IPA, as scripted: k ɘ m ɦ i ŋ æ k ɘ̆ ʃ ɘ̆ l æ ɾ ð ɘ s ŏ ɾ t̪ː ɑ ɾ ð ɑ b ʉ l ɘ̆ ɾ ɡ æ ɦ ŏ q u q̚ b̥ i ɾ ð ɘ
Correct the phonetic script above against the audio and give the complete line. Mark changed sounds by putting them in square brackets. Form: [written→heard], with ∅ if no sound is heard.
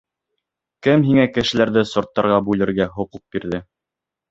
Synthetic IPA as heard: k ɘ m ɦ i ŋ æ k ɘ̆ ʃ ɘ̆ l æ ɾ ð ɘ s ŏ ɾ t̪ː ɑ ɾ [ð→ʁ] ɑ b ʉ l ɘ̆ ɾ ɡ æ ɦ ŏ q u q̚ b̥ i ɾ ð ɘ

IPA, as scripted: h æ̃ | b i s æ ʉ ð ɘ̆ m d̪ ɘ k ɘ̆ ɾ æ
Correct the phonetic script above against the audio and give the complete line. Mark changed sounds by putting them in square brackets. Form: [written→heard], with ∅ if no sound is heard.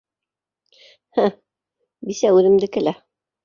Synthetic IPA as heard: h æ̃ | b i s æ ʉ ð ɘ̆ m d̪ ɘ k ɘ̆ [ɾ→l] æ

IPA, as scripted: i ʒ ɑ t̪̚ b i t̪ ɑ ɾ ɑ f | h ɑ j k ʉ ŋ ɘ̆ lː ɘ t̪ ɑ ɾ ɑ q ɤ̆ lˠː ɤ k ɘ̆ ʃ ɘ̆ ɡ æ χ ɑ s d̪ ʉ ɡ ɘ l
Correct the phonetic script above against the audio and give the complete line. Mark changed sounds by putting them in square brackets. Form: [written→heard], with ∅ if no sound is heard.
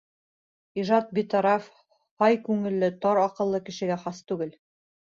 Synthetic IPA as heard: i ʒ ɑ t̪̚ b i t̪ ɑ ɾ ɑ f | h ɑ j k ʉ ŋ ɘ̆ lː ɘ t̪ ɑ ɾ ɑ q ɤ̆ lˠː ɤ k ɘ̆ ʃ ɘ̆ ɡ æ χ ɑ s [d̪→t̪] ʉ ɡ ɘ l

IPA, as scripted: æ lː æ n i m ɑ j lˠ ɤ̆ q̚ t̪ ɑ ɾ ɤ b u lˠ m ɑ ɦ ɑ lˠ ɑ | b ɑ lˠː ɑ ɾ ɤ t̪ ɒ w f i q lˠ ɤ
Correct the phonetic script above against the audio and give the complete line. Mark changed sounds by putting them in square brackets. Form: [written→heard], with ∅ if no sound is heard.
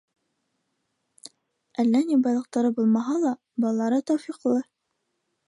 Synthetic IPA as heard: æ lː æ n i [m→b] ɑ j lˠ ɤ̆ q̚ t̪ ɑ ɾ ɤ b u lˠ m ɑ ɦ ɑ lˠ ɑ | b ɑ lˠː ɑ ɾ ɤ t̪ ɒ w f i q lˠ ɤ

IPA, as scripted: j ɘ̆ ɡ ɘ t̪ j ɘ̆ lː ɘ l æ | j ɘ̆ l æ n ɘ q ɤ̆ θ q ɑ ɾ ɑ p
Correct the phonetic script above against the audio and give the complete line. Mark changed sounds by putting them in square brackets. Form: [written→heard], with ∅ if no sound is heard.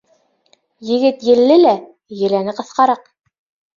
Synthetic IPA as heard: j ɘ̆ ɡ ɘ t̪ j ɘ̆ lː ɘ l æ | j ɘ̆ l æ n ɘ q ɤ̆ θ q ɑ ɾ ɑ [p→q]

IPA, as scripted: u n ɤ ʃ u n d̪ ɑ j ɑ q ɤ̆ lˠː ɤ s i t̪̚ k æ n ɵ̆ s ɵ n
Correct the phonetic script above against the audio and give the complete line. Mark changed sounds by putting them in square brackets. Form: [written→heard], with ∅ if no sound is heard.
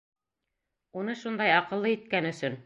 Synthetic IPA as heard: u n ɤ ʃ u n d̪ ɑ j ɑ q ɤ̆ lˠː ɤ [s→∅] i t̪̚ k æ n ɵ̆ s ɵ n

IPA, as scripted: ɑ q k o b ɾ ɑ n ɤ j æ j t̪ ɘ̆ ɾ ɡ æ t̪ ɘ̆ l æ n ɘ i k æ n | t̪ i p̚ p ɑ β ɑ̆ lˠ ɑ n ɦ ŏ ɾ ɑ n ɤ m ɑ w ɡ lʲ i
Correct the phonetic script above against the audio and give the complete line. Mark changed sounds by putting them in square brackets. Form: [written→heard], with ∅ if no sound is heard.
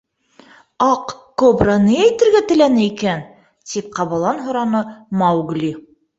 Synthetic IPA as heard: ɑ q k o b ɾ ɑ n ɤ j æ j t̪ ɘ̆ ɾ ɡ æ t̪ ɘ̆ l æ n ɘ i k æ n | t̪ i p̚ [p→q] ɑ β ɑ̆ lˠ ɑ n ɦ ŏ ɾ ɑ n ɤ m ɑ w ɡ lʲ i

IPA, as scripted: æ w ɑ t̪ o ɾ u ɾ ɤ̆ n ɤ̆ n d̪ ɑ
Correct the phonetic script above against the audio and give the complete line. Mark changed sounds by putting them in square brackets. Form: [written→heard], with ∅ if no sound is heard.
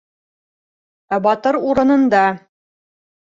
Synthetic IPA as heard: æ [w→b] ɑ t̪ [o→ɤ] ɾ u ɾ ɤ̆ n ɤ̆ n d̪ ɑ

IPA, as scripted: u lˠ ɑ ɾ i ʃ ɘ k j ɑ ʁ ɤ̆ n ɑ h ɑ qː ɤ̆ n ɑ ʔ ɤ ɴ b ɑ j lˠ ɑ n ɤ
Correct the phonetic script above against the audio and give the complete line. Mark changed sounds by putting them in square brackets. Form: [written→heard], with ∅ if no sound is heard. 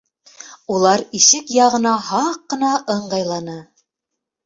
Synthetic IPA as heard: u lˠ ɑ ɾ i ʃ ɘ k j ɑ ʁ ɤ̆ n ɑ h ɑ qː ɤ̆ n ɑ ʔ ɤ ɴ [b→ɢ] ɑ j lˠ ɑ n ɤ

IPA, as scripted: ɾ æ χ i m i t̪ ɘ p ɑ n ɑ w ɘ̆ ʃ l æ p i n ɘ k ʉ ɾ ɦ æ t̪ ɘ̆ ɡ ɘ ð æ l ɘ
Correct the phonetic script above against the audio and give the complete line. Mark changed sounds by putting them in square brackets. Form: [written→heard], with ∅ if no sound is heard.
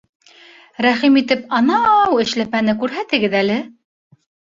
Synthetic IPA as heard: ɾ æ χ i m i t̪ ɘ p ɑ n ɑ w ɘ̆ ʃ l æ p [i→æ] n ɘ k ʉ ɾ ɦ æ t̪ ɘ̆ ɡ ɘ ð æ l ɘ

